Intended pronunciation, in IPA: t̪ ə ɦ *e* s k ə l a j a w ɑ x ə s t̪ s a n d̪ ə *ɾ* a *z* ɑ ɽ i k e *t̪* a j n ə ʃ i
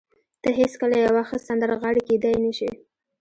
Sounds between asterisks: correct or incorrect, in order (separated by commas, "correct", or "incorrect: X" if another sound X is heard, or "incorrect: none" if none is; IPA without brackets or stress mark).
correct, correct, incorrect: ɣ, incorrect: d̪